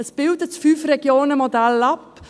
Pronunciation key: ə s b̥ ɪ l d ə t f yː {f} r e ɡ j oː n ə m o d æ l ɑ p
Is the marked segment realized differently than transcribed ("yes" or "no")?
no